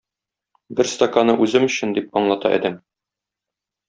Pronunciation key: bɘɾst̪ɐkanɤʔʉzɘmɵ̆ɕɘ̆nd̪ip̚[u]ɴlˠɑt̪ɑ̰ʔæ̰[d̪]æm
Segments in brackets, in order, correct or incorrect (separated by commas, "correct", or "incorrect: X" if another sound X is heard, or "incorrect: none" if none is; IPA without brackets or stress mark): incorrect: ɒ, correct